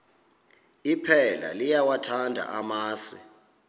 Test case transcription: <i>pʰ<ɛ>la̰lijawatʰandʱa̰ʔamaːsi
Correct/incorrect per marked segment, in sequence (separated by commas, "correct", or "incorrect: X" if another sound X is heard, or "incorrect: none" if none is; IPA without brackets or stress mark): correct, correct